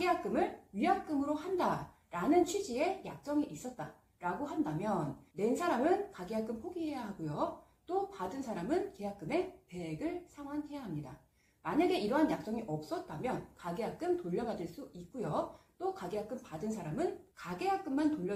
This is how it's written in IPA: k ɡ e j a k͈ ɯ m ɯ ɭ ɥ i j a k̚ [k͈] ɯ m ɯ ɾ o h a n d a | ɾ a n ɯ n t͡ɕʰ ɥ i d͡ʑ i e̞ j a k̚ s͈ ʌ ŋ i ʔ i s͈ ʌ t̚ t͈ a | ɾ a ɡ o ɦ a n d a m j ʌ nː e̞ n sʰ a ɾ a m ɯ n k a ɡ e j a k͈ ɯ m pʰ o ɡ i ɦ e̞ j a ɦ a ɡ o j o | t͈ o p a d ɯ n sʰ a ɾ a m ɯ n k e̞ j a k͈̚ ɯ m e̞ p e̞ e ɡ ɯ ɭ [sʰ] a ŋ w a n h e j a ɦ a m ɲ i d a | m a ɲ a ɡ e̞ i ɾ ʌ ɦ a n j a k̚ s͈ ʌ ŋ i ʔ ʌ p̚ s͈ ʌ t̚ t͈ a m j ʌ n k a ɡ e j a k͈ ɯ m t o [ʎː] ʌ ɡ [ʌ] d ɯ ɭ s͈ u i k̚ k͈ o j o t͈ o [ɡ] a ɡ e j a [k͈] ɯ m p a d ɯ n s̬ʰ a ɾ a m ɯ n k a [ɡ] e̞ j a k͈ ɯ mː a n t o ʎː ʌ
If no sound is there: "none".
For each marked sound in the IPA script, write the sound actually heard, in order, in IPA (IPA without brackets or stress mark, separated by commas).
k͈, sʰ, ʎː, a, k, k͈, ɡ